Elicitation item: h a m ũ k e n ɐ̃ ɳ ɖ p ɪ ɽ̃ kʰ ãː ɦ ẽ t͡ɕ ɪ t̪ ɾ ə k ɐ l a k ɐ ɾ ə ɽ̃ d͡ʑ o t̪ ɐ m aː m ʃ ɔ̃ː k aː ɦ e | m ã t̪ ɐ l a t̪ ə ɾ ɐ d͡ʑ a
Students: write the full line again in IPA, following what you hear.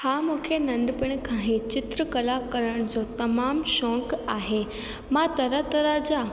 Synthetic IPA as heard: h a m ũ kʰ e n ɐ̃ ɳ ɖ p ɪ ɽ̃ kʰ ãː ɦ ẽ t͡ɕ ɪ t̪ ɾ ə k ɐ l a k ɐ ɾ ə ɽ̃ d͡ʑ o t̪ ɐ m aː m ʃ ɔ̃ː k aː ɦ e | m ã t̪ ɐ ɾ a t̪ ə ɾ a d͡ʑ a